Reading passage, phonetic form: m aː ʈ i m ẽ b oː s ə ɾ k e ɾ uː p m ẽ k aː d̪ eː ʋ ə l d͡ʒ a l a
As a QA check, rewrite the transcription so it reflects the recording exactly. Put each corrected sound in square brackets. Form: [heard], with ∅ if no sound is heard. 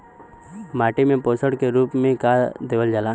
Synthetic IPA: m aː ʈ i m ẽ [p] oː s ə [ɽ] k e ɾ uː p m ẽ k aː d̪ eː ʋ ə l d͡ʒ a l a